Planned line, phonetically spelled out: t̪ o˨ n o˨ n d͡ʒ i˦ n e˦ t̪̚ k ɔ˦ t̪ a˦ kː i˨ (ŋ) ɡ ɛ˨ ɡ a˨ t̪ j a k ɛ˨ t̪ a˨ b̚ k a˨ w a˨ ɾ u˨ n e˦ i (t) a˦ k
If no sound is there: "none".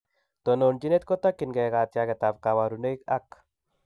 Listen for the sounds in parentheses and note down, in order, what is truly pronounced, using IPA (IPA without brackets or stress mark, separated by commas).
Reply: n, k